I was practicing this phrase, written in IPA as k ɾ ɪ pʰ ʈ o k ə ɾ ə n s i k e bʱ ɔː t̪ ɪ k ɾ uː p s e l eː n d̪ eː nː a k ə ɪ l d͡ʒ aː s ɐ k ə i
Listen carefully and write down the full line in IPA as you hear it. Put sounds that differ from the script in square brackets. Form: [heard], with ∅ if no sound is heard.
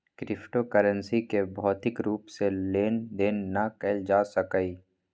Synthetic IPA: k ɾ ɪ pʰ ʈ o k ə ɾ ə n s i k e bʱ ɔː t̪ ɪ k ɾ uː p s e l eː n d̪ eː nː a k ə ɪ l d͡ʒ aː s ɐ k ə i